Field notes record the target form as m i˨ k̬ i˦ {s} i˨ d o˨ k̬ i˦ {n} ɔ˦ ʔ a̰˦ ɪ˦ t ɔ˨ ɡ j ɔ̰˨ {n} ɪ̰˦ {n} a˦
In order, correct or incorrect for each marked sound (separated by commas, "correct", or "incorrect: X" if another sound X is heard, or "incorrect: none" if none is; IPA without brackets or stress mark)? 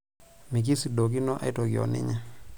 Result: correct, correct, correct, incorrect: ɲ